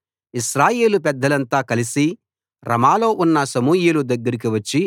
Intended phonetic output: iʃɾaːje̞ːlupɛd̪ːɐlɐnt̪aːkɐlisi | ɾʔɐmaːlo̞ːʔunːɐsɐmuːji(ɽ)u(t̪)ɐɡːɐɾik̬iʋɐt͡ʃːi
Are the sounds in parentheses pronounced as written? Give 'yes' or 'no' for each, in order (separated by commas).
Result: no, no